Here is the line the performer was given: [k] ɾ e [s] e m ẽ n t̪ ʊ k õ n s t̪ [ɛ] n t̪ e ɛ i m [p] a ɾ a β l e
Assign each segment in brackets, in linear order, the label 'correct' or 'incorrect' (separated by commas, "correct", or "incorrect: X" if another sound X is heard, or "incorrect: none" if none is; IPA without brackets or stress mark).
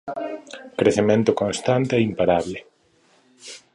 correct, incorrect: θ, incorrect: a, correct